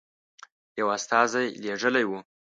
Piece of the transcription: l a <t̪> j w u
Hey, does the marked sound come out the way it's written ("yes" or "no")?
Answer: no